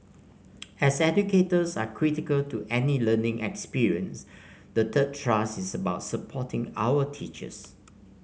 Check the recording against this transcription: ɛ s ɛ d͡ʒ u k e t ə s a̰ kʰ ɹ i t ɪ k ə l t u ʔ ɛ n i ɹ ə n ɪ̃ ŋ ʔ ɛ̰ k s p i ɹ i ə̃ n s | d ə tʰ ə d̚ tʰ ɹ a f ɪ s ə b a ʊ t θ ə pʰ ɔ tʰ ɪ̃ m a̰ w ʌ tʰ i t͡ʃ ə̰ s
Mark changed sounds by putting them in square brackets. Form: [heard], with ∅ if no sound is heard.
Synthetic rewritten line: ɛ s ɛ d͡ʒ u k e t ə s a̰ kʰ ɹ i t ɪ k ə l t u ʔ ɛ n i [l] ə n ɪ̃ ŋ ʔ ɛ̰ k s p i ɹ i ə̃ n s | d ə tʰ ə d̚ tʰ ɹ a [s] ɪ s ə b a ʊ t [s] ə pʰ ɔ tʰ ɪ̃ [ŋ] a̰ w [ə] tʰ i t͡ʃ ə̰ s